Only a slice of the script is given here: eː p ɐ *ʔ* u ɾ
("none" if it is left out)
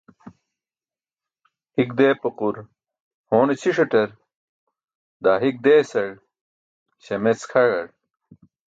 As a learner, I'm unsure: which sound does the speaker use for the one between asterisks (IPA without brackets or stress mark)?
q